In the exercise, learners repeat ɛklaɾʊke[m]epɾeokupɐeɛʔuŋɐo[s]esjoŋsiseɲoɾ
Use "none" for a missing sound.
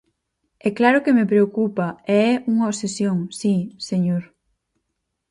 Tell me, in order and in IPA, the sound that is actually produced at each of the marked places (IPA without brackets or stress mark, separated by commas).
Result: m, s